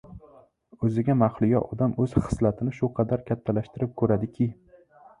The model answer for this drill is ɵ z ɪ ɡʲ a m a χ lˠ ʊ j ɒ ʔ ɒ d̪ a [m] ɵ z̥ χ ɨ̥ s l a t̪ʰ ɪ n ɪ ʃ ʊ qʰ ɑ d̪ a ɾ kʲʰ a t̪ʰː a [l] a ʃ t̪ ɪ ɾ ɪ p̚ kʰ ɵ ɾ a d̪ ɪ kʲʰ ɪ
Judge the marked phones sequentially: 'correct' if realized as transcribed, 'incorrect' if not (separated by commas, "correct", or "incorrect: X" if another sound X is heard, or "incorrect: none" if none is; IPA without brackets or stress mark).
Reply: correct, correct